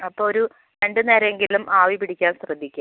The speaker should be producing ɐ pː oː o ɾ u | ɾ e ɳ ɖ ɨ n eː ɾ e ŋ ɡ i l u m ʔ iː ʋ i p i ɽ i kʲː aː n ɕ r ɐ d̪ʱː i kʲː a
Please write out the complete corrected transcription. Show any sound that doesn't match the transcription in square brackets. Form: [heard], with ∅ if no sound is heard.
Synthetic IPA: ɐ pː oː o ɾ u | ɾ e ɳ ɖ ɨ n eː ɾ e ŋ ɡ i l u m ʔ [aː] ʋ i p i ɽ i kʲː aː n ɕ r ɐ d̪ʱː i kʲː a